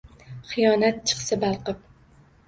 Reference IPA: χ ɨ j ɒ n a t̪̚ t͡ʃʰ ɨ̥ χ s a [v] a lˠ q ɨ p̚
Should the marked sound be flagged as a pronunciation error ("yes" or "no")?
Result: yes